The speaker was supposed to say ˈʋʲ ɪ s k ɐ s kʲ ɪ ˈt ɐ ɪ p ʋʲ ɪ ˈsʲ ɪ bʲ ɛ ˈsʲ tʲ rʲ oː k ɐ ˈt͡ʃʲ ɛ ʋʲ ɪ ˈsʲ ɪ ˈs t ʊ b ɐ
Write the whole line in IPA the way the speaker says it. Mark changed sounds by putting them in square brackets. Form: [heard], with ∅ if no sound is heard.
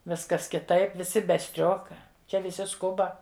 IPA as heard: ˈʋʲ ɪ s k ɐ s kʲ ɪ ˈt ɐ ɪ p ʋʲ ɪ ˈsʲ ɪ bʲ ɛ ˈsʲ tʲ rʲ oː k ɐ ˈt͡ʃʲ ɛ ʋʲ ɪ ˈsʲ ɪ ˈs [k] ʊ b ɐ